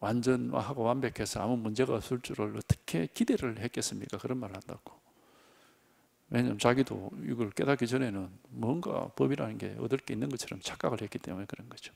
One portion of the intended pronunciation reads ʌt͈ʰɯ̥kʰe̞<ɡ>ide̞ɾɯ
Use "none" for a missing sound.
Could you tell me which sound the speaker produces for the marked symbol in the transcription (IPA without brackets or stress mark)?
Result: k